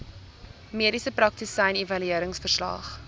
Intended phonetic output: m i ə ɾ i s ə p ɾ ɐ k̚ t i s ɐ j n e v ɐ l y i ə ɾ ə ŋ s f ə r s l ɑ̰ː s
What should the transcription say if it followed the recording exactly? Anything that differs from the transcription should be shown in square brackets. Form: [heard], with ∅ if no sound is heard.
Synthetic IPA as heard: m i ə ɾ i s ə p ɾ ɐ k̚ t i s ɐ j n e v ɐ l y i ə ɾ ə ŋ s f ə r s l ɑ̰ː [χ]